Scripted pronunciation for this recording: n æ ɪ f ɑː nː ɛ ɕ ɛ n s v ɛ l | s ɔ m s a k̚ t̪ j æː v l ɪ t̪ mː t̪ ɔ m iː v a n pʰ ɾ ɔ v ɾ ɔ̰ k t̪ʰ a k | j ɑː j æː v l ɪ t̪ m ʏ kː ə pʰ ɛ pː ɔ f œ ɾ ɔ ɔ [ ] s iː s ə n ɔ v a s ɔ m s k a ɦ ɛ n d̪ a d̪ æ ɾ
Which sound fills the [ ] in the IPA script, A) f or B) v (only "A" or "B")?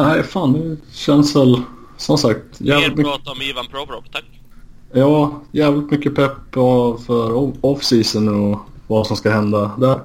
A